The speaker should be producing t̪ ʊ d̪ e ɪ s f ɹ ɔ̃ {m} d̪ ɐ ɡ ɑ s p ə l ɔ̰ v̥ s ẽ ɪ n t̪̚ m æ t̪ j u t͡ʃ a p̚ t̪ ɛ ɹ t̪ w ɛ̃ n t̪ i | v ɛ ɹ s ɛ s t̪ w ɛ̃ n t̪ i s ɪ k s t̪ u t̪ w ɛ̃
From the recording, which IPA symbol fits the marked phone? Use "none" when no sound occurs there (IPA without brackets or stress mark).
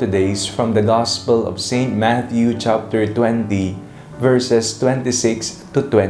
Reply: m